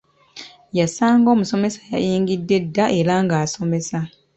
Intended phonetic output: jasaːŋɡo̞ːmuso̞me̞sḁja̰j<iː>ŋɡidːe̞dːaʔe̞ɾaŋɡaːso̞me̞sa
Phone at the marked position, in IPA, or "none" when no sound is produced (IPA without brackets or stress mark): iː